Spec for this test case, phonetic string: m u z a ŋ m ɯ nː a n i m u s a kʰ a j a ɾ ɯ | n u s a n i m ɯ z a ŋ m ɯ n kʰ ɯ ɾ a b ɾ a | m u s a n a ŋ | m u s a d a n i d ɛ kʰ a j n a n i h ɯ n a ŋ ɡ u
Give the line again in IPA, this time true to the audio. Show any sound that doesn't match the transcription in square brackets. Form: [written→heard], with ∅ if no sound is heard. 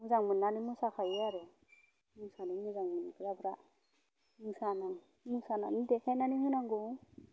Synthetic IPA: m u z a ŋ m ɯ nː a n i m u s a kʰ a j a ɾ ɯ | [n→m] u s a n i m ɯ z a ŋ m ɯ n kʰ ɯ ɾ a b ɾ a | m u s a n a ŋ | m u s a [d→n] a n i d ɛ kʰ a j n a n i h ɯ n a ŋ ɡ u